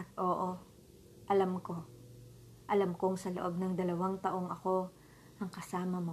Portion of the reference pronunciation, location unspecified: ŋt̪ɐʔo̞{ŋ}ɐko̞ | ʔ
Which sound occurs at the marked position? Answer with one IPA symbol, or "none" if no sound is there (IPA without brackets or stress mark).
ŋ